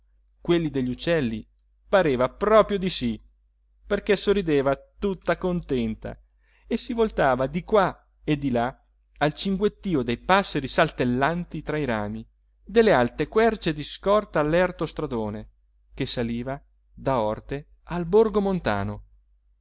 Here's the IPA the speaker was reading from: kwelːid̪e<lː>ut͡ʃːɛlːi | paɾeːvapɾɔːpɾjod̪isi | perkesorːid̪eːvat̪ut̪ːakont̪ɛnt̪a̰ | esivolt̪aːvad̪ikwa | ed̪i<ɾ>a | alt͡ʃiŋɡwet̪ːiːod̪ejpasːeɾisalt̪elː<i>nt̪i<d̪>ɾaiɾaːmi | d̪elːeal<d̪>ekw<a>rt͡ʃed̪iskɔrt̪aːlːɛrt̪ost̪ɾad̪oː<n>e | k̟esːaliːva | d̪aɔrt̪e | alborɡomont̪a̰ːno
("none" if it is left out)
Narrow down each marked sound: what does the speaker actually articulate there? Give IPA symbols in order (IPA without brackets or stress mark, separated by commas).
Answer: ʎː, l, a, t̪, t̪, ɛ, n